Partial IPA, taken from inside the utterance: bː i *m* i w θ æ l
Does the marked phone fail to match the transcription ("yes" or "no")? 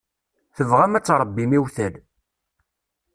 no